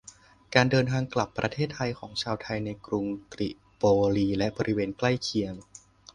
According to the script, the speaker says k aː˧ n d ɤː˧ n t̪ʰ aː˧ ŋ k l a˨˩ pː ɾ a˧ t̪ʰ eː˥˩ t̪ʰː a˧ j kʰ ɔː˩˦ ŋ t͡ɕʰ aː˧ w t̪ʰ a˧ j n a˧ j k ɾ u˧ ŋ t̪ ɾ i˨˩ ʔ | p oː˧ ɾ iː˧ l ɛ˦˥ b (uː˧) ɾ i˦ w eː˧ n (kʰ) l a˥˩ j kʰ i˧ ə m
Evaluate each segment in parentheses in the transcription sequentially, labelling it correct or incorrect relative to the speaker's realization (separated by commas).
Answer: incorrect, incorrect